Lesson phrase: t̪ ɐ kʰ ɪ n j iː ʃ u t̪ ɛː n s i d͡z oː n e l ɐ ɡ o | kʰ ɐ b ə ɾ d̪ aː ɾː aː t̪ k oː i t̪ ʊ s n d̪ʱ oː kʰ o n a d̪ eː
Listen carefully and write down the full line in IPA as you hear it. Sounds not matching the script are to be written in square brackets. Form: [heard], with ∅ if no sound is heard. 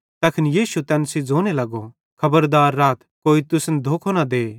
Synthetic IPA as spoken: t̪ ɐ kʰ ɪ n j iː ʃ u t̪ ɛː n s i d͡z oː n e l ɐ ɡ o | kʰ ɐ b ə ɾ d̪ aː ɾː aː t̪ k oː i t̪ ʊ s n d̪ʱ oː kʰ o n a d̪ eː